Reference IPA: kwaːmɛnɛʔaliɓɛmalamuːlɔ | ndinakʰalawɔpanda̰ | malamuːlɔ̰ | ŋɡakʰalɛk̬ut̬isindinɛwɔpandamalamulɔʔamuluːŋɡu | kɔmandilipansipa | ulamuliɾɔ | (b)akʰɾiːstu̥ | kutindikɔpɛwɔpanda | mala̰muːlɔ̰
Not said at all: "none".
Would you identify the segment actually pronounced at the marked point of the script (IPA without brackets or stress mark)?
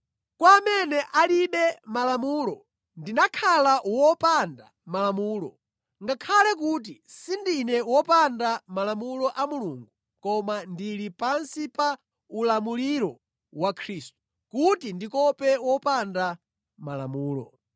w